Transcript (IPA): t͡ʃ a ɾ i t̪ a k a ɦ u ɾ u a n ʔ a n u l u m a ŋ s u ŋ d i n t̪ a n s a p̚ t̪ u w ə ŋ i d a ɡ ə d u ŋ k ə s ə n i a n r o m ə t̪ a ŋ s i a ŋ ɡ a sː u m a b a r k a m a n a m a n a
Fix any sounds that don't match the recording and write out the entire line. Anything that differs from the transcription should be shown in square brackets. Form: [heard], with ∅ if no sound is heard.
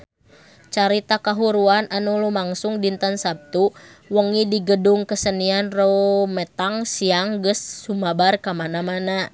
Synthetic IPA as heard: t͡ʃ a ɾ i t̪ a k a ɦ u ɾ u a n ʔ a n u l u m a ŋ s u ŋ d i n t̪ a n s a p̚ t̪ u w ə ŋ i d [i] ɡ ə d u ŋ k ə s ə n i a n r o m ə t̪ a ŋ s i a ŋ ɡ [ə] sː u m a b a r k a m a n a m a n a